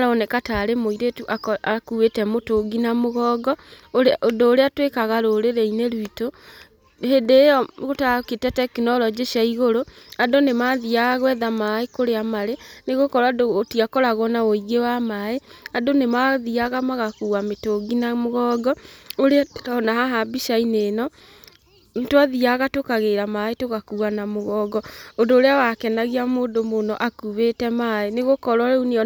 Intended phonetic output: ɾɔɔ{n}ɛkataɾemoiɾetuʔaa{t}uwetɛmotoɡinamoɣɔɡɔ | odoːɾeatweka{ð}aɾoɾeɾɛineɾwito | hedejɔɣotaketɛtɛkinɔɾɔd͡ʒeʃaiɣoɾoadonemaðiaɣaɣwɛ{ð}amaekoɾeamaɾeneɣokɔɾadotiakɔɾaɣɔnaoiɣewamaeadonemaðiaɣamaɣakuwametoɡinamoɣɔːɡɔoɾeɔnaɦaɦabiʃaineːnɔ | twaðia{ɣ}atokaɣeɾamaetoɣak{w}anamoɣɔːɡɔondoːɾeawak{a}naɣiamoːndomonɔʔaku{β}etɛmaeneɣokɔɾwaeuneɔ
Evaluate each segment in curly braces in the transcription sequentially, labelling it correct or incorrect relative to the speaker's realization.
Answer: correct, incorrect: k, incorrect: ɣ, correct, correct, incorrect: u, incorrect: ɛ, correct

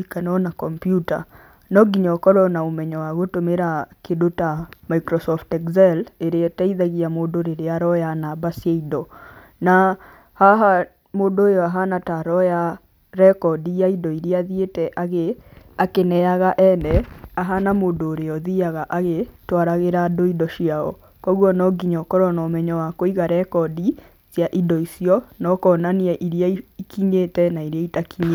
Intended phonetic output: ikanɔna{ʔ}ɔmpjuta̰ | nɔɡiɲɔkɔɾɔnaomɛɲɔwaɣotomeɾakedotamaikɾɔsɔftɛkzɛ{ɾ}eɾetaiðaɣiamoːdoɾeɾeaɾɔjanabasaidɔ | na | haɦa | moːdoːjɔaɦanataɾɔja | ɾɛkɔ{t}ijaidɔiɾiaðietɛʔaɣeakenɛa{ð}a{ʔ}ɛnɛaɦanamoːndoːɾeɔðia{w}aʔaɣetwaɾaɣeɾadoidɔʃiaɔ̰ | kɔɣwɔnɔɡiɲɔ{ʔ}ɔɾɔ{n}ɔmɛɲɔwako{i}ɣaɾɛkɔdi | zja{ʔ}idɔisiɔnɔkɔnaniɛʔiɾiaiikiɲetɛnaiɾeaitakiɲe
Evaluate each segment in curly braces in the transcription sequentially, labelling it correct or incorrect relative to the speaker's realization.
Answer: incorrect: k, incorrect: l, incorrect: d, incorrect: ɣ, correct, incorrect: ɣ, incorrect: k, correct, correct, correct

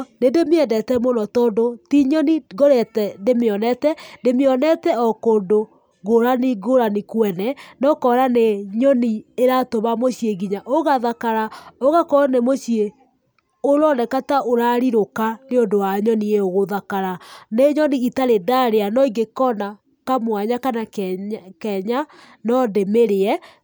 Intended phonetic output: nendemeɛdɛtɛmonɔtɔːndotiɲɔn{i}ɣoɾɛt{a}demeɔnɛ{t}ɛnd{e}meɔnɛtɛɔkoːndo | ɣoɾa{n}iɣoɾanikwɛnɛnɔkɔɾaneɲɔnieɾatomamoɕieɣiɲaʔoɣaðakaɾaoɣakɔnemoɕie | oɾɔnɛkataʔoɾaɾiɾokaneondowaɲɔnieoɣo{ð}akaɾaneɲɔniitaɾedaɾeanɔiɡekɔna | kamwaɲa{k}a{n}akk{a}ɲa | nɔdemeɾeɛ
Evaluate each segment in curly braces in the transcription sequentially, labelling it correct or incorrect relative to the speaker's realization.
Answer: correct, incorrect: ɛ, correct, correct, correct, correct, correct, correct, incorrect: ɛ

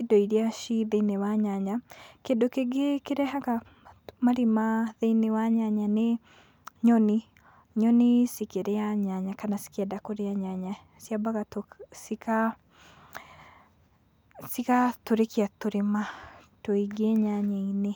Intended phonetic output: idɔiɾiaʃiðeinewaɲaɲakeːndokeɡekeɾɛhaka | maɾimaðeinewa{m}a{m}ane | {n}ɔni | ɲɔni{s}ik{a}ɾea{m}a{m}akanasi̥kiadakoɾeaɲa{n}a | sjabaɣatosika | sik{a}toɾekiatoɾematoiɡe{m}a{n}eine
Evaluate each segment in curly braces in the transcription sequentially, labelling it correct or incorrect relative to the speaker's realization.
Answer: incorrect: ɲ, incorrect: ɲ, incorrect: ɲ, correct, incorrect: e, incorrect: ɲ, incorrect: ɲ, incorrect: ɲ, correct, incorrect: ɲ, incorrect: ɲ

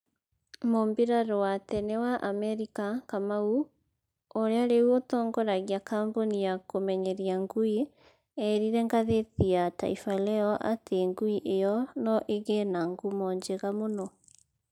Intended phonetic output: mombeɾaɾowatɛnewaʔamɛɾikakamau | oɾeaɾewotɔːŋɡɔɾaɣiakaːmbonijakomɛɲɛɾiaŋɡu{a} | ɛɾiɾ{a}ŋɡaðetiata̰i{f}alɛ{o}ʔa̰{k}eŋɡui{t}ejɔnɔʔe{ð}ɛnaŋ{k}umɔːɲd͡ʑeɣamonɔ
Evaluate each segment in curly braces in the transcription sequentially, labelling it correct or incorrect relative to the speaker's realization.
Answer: incorrect: i, incorrect: ɛ, correct, incorrect: ɔ, incorrect: t, incorrect: ʔ, incorrect: ɣ, incorrect: ɡ

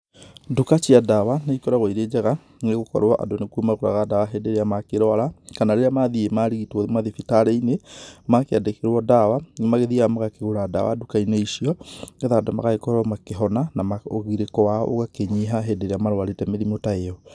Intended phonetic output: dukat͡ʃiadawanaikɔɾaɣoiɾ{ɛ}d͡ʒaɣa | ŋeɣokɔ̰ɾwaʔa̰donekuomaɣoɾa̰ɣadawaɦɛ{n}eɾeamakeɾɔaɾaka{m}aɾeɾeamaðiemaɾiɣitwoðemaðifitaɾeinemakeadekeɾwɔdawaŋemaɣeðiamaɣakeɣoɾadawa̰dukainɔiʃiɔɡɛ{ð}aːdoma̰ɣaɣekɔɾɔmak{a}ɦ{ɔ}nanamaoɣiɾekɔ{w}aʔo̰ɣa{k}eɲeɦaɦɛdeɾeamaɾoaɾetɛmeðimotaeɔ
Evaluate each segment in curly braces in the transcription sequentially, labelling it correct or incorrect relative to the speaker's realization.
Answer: incorrect: e, incorrect: d, incorrect: n, correct, incorrect: e, correct, correct, correct

